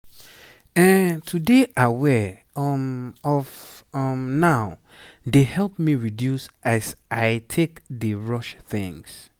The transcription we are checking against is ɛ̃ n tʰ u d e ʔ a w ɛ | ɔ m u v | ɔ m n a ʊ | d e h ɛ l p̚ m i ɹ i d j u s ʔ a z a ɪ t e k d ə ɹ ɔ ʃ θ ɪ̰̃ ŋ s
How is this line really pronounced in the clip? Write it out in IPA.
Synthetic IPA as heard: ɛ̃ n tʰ u d e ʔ a w ɛ | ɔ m ɔ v | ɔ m n a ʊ | d e h ɛ l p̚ m i ɹ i d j u s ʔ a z a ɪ tʰ e k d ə ɹ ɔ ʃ θ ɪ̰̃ ŋ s